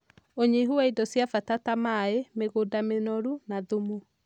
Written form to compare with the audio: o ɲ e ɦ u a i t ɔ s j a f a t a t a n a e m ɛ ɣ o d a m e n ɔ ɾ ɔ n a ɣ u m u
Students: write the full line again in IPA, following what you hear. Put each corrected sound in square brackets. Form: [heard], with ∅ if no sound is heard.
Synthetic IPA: o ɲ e ɦ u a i [d] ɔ s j a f a t a t a [m] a e m [e] ɣ o d a m e n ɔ ɾ [u] n a [ð] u m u